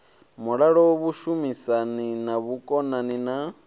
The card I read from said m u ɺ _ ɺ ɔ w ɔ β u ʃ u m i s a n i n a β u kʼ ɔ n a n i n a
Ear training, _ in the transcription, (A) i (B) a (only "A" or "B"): B